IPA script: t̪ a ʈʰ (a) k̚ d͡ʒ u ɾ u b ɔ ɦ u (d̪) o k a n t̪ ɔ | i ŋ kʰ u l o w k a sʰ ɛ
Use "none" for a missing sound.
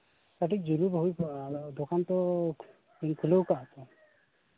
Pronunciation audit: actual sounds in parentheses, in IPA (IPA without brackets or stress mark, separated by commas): i, d̪